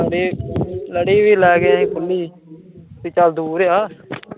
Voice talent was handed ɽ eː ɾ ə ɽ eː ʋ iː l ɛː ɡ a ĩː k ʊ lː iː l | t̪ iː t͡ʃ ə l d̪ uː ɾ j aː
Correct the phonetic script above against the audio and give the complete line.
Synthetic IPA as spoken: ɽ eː l ə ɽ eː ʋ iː l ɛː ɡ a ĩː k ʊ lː iː | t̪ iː t͡ʃ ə l d̪ uː ɾ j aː